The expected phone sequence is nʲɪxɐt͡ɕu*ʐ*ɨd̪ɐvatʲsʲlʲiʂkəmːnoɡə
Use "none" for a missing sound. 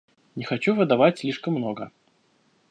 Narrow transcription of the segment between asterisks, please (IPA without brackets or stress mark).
v